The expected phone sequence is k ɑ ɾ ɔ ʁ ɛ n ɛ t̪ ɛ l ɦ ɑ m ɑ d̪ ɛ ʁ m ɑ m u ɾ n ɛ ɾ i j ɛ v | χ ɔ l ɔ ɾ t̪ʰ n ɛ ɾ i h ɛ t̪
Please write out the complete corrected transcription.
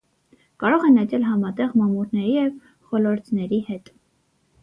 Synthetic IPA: k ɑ ɾ ɔ ʁ ɛ n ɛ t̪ ɛ l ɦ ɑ m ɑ t̪ ɛ ʁ m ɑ m u ɾ n ɛ ɾ i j ɛ v | χ ɔ l ɔ ɾ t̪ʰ n ɛ ɾ i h ɛ t̪